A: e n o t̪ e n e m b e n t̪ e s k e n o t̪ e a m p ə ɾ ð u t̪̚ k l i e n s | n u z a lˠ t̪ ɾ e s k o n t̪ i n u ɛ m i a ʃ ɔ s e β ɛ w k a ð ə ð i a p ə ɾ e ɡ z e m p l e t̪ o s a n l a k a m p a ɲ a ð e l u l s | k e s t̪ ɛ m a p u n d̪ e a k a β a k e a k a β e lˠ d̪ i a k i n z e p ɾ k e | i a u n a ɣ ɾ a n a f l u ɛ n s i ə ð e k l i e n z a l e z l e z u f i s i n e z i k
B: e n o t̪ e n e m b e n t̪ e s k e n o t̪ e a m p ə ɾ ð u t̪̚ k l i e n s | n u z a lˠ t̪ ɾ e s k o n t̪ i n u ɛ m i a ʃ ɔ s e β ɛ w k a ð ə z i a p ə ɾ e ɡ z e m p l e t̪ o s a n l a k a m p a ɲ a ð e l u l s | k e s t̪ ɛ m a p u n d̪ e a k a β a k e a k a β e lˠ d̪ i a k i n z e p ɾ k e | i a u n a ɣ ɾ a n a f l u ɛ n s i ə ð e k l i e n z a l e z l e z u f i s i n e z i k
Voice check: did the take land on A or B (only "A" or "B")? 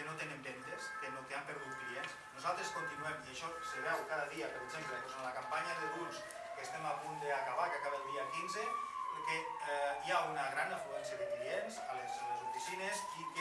A